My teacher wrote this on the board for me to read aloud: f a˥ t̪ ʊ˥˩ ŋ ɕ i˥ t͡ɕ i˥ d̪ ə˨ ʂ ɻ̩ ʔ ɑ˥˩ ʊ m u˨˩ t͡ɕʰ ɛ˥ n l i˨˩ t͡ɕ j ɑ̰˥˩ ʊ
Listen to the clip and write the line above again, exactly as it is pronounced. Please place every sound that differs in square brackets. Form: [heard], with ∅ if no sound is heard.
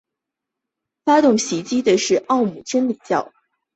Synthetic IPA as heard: f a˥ t̪ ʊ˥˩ ŋ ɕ [i˧˥] t͡ɕ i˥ d̪ ə˨ ʂ ɻ̩ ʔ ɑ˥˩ ʊ m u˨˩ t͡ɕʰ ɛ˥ n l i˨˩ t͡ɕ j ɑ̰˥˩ ʊ